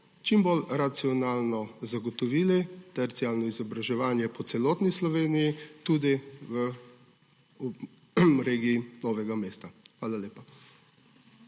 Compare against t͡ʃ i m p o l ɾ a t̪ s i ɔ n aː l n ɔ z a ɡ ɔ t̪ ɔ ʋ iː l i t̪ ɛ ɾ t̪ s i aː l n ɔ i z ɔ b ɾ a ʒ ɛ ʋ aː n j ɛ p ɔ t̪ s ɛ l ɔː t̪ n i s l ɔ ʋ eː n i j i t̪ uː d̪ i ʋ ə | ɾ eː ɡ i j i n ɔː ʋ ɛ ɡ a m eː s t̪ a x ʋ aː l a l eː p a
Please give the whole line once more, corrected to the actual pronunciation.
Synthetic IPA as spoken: t͡ʃ i m b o l ɾ a t̪ s i ɔ n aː l n ɔ z a ɡ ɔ t̪ ɔ ʋ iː l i t̪ ɛ ɾ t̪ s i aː l n ɔ i z ɔ b ɾ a ʒ ɛ ʋ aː n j ɛ p ɔ t̪ s ɛ l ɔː t̪ n i s l ɔ ʋ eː n i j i t̪ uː d̪ i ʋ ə | ɾ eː ɡ i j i n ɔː ʋ ɛ ɡ a m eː s t̪ a x ʋ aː l a l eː p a